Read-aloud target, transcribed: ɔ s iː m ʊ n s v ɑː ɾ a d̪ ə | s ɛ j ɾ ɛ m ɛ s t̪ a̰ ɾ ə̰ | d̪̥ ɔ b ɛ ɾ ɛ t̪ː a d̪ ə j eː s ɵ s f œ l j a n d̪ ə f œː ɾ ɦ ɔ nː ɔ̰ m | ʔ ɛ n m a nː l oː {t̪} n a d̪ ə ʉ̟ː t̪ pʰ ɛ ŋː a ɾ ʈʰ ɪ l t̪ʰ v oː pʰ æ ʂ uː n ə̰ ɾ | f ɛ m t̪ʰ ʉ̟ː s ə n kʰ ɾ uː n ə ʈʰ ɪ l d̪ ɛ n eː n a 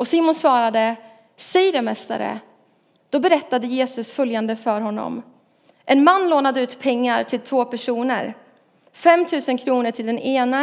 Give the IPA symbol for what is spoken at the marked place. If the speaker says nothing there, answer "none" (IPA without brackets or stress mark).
none